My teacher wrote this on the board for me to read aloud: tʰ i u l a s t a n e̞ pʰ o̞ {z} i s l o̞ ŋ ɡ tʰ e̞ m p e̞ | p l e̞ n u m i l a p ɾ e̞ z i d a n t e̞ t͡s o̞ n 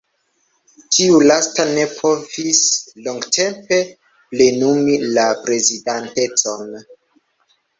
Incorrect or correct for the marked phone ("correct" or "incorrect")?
incorrect